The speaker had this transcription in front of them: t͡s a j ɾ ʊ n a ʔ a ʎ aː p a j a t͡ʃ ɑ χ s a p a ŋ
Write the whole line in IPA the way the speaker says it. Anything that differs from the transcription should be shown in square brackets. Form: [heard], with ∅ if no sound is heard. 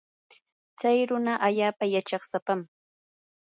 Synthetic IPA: t͡s a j ɾ ʊ n a ʔ a ʎ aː p a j a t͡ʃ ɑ χ s a p a [m]